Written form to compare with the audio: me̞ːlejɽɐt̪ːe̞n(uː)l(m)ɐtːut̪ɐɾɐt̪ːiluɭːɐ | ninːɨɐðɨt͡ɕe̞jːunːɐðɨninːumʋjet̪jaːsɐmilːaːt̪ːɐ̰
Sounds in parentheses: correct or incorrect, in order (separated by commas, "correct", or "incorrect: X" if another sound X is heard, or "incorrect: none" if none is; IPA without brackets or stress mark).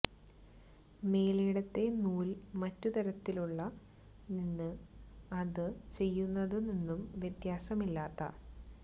correct, correct